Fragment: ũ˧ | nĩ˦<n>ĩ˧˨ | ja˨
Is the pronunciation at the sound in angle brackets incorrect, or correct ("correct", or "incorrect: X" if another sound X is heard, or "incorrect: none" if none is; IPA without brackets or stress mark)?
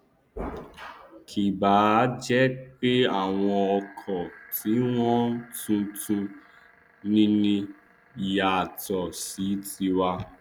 correct